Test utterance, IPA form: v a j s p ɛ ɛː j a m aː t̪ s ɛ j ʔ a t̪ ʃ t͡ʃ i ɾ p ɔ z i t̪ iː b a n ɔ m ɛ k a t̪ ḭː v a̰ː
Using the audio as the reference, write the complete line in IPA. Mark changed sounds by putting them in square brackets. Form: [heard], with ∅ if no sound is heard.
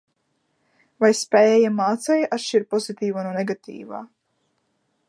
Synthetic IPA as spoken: v a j s p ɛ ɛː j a m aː t̪ s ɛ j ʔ a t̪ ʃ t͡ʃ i ɾ p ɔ z i t̪ iː [v] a n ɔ [n] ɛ [ɡ] a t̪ ḭː v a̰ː